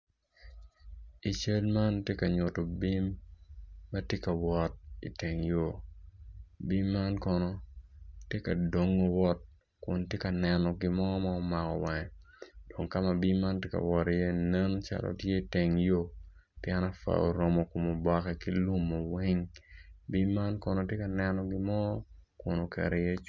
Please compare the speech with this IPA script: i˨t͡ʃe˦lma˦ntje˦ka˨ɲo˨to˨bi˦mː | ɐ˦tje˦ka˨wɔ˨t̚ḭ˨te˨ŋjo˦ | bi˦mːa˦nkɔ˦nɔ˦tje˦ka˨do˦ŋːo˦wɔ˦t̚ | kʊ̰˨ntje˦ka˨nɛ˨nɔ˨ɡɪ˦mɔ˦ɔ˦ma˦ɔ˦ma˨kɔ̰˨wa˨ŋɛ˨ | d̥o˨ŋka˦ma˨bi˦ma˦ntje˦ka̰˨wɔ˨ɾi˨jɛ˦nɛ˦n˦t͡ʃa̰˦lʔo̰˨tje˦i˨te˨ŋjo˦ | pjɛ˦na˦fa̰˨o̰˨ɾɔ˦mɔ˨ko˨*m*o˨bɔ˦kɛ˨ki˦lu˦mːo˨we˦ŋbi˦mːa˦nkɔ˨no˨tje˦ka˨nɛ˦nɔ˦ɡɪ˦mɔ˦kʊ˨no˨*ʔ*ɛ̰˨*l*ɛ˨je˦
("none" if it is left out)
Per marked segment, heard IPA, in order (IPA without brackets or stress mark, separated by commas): m, k, ɾ